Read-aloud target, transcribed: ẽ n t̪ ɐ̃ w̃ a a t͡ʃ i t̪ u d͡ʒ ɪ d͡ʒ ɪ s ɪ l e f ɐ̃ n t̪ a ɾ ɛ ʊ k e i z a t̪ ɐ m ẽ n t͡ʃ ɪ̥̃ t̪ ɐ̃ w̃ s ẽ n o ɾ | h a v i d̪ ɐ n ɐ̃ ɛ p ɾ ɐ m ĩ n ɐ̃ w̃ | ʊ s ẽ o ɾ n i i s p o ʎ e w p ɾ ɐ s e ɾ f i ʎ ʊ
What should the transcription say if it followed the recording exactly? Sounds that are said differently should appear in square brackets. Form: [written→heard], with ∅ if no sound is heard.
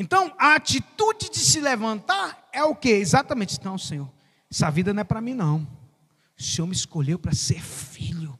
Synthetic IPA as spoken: ẽ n t̪ ɐ̃ w̃ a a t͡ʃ i t̪ u d͡ʒ ɪ d͡ʒ ɪ s ɪ l e [f→v] ɐ̃ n t̪ a ɾ ɛ ʊ k e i z a t̪ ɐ m ẽ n t͡ʃ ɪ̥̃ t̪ ɐ̃ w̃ s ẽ [n→ɲ] o ɾ | [h→s] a v i d̪ ɐ n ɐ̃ ɛ p ɾ ɐ m ĩ n ɐ̃ w̃ | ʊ s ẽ o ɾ [n→m] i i s [p→k] o ʎ e w p ɾ ɐ s e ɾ f i ʎ ʊ